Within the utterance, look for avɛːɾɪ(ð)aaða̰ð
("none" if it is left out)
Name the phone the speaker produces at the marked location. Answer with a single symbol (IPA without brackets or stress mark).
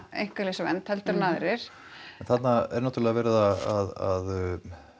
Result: ð